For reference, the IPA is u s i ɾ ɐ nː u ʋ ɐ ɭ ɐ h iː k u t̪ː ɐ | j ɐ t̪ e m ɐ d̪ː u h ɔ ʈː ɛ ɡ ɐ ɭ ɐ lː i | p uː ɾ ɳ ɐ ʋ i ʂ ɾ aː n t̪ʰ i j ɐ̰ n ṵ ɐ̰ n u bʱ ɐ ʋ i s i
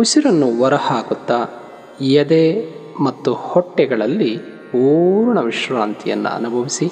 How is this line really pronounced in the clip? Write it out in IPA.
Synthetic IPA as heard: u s i ɾ ɐ nː u ʋ ɐ ɾ ɐ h aː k u t̪ː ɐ | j ɐ d̪ e m ɐ t̪ː u h ɔ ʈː ɛ ɡ ɐ ɭ ɐ lː i | p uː ɾ ɳ ɐ ʋ i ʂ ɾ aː n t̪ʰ i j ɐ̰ nː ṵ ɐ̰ n u bʱ ɐ ʋ i s i